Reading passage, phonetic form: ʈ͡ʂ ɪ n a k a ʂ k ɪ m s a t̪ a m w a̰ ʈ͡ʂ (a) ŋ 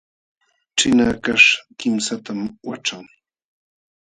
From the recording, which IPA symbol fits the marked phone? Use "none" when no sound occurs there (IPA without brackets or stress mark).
a